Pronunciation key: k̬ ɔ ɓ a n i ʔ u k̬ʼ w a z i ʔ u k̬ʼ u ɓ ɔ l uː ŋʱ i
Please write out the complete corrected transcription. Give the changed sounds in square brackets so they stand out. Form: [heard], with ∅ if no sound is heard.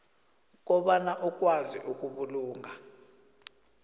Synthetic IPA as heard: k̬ ɔ ɓ a n [a] ʔ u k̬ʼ w a z i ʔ u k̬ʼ u ɓ [u] l uː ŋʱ [a]